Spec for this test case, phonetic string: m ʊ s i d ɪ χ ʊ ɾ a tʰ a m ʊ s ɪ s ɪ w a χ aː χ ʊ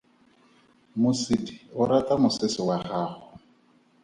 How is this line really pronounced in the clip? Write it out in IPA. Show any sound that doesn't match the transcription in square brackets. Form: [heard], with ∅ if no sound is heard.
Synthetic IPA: m ʊ s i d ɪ [∅] ʊ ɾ a [t] a m ʊ s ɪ s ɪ w a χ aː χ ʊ

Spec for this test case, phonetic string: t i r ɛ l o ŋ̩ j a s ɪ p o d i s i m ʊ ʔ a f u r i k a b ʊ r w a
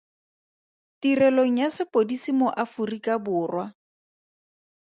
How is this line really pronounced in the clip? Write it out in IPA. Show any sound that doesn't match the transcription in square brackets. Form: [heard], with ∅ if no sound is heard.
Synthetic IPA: t i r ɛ l o ŋ̩ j a s ɪ p o d i s i m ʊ ʔ a f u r i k a b [ʊː] r w a

